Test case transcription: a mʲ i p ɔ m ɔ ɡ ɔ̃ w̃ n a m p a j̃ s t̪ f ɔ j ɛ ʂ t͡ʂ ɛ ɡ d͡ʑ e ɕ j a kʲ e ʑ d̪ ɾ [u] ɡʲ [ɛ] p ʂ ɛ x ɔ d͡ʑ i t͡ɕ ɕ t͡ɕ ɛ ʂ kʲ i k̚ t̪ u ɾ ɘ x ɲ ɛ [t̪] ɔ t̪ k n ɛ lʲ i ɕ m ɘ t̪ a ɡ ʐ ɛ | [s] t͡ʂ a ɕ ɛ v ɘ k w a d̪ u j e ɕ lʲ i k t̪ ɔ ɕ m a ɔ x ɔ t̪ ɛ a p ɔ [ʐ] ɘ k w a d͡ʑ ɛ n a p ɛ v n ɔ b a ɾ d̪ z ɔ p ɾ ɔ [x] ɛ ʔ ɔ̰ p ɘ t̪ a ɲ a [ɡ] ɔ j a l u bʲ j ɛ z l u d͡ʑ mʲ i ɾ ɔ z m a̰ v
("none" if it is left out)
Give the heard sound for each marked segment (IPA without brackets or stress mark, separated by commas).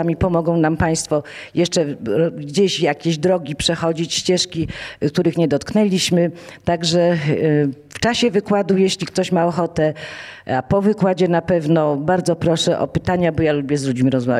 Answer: ɔ, i, d̪, f, v, ʂ, b